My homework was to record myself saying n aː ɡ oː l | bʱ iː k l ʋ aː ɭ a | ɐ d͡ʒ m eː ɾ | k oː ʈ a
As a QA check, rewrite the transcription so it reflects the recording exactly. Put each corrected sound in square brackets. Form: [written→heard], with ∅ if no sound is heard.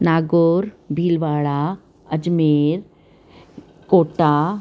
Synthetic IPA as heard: n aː ɡ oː [l→ɾ] | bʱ iː [k→∅] l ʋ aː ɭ a | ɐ d͡ʒ m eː ɾ | k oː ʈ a